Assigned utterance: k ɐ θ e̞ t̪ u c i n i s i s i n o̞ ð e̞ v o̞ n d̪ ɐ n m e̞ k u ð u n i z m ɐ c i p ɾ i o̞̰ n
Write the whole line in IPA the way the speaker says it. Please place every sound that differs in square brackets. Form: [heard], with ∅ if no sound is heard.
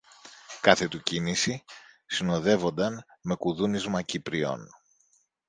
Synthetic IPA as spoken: k ɐ θ e̞ t̪ u c i n i s i s i n o̞ ð e̞ v o̞ n d̪ ɐ n m e̞ k u ð u n i z m ɐ c i p ɾ i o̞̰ n